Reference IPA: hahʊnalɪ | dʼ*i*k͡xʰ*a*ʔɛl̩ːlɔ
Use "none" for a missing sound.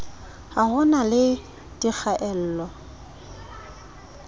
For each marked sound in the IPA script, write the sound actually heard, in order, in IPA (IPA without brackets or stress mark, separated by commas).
i, a